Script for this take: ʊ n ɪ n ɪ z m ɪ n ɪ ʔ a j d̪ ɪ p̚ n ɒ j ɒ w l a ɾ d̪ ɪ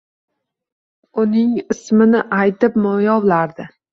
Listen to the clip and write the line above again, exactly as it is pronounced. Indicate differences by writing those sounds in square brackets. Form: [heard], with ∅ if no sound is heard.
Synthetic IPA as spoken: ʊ n ɪ [ŋ] ɪ [s] m ɪ n ɪ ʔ a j [t̪] ɪ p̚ [m] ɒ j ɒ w l a ɾ d̪ ɪ